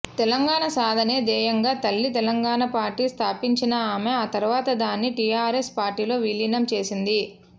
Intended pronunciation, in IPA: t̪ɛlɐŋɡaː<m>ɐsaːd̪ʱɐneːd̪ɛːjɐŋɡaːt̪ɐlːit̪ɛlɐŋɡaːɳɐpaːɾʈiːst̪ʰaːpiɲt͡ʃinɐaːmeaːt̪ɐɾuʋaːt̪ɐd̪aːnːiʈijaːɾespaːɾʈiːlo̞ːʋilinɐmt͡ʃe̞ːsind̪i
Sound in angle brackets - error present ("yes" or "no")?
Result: yes